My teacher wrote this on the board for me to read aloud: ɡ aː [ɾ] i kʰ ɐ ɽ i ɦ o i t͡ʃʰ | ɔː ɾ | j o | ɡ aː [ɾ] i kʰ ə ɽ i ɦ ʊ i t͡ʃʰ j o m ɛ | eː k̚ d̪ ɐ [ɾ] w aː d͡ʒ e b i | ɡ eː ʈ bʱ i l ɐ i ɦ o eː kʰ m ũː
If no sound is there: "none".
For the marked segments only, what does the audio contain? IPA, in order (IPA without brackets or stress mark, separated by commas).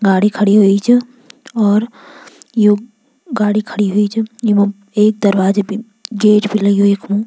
ɽ, ɽ, ɾ